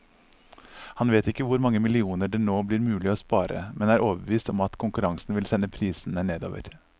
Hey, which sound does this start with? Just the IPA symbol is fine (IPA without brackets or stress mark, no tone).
h